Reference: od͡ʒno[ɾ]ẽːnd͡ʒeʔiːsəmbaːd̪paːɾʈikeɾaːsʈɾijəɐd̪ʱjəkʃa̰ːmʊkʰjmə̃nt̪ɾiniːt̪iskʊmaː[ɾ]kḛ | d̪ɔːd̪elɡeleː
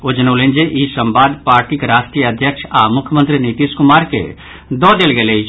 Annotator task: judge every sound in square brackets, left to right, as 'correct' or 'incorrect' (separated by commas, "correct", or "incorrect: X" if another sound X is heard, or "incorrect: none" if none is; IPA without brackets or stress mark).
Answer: incorrect: l, correct